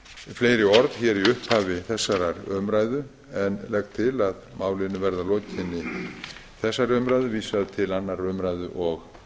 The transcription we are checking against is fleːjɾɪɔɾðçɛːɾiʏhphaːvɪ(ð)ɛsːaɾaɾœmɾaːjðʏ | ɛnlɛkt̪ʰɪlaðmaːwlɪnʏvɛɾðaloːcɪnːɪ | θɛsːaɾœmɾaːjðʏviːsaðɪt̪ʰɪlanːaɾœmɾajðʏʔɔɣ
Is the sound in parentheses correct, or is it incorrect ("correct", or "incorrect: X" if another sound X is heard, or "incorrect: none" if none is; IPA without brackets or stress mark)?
incorrect: θ